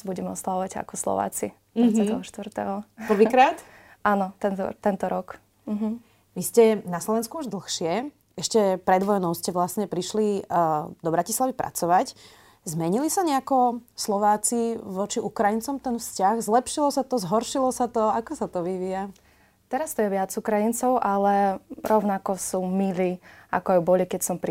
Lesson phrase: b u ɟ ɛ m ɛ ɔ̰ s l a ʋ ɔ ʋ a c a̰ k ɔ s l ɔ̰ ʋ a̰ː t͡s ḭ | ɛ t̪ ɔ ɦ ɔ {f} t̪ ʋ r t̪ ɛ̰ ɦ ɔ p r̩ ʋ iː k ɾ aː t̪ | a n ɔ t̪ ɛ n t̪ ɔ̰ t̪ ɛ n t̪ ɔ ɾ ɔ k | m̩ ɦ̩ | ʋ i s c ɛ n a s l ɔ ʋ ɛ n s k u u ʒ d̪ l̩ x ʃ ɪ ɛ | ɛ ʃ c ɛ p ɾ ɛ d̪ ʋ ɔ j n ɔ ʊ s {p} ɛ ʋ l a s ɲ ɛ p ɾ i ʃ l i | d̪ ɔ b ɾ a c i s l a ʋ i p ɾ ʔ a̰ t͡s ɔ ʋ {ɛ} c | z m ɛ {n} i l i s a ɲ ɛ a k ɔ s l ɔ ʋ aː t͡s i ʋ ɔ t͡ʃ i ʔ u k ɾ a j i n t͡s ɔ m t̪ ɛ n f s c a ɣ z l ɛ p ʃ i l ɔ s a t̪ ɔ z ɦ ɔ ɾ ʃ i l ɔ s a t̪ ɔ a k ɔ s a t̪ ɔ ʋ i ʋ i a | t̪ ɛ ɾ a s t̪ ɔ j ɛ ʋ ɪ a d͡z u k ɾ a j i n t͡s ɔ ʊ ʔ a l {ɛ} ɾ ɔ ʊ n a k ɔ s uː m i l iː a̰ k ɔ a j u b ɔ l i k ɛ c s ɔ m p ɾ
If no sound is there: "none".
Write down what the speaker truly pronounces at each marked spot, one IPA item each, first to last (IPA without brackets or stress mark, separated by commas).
ʃ, c, a, ɲ, ɛ